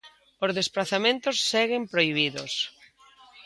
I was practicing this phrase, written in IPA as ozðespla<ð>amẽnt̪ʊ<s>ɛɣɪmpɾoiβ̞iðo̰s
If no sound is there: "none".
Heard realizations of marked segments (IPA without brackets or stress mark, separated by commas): θ, sː